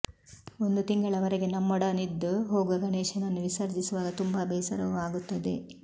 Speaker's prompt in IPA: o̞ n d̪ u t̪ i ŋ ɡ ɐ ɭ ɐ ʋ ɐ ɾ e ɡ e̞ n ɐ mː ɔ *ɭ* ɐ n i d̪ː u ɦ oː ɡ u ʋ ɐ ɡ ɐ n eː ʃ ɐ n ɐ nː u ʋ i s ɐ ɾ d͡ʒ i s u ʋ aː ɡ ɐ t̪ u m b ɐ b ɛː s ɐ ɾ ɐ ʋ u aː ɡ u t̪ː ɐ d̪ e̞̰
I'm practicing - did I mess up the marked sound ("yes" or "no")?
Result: yes